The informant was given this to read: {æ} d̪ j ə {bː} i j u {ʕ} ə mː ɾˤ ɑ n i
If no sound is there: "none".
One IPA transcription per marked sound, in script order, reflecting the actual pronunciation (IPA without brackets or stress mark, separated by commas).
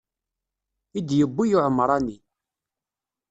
i, bː, ʕ